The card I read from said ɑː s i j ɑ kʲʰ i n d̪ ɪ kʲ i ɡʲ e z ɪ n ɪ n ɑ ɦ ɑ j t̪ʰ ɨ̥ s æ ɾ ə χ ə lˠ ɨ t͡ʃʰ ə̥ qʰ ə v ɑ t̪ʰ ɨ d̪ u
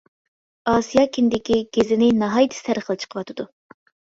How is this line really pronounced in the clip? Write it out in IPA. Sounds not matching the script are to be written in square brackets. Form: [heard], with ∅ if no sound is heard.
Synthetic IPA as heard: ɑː s i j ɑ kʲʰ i n d̪ ɪ kʲ i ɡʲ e z ɪ n ɪ n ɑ ɦ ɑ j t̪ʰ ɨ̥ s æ ɾ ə χ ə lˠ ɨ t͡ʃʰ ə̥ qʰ ə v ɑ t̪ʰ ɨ d̪ u